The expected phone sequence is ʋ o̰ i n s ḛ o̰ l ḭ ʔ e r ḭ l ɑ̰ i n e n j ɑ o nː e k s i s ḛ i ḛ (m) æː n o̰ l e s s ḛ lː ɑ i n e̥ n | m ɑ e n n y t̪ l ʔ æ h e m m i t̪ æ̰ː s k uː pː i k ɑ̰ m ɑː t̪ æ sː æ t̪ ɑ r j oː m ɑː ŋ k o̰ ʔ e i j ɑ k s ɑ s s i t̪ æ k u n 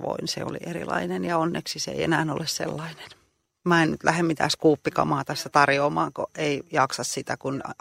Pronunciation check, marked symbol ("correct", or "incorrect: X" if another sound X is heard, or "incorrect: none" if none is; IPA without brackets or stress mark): incorrect: n